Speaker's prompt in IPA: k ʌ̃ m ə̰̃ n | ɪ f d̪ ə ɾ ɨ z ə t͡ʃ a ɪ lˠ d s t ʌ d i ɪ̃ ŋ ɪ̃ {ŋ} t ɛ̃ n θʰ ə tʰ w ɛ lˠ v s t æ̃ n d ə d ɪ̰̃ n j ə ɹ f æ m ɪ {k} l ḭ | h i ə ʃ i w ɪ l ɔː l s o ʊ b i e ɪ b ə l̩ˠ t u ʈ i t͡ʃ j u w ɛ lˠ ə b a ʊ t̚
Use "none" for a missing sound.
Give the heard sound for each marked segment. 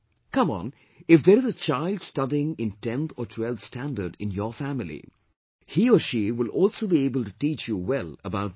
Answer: n, none

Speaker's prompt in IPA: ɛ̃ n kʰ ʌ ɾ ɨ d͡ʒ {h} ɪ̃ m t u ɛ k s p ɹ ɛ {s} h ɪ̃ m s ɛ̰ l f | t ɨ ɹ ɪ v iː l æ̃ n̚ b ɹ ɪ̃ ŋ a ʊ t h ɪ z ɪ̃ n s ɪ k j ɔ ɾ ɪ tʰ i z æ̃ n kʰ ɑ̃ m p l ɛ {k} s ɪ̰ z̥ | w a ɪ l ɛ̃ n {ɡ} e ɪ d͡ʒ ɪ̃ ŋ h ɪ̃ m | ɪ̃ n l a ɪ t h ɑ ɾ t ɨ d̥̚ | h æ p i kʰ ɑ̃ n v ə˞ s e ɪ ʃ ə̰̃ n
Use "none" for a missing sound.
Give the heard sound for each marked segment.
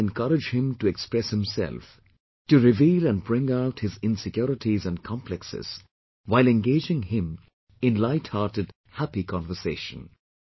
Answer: h, s, k, ɡ

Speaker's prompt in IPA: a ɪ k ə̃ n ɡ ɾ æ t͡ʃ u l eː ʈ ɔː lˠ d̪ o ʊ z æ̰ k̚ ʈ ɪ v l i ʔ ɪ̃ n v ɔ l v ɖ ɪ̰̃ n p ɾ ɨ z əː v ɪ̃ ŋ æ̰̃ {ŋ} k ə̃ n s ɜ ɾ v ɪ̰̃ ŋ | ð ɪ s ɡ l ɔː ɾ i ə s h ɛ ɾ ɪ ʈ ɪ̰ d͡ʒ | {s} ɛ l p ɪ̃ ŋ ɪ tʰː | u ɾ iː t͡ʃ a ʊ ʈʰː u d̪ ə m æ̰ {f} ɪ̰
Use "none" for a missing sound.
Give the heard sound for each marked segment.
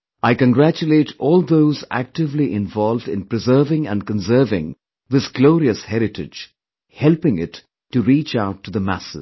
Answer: n, h, s

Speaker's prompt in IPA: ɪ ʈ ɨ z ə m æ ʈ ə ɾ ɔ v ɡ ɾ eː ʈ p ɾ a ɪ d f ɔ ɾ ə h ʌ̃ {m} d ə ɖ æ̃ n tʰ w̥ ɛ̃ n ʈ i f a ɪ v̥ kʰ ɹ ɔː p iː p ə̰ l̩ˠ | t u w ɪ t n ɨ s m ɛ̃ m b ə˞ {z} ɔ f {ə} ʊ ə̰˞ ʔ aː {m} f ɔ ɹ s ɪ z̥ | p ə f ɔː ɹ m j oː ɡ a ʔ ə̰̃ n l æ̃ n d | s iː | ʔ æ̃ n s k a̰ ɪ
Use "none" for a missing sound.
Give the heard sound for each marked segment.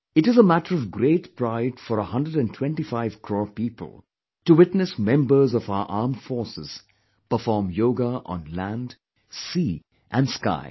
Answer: n, z, a, m

